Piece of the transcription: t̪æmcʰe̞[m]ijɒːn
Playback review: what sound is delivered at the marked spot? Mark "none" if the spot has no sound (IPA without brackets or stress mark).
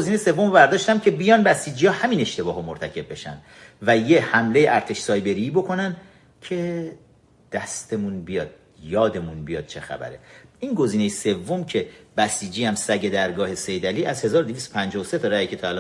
b